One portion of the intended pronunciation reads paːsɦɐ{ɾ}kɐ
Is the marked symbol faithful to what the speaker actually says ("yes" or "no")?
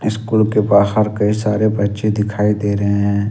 yes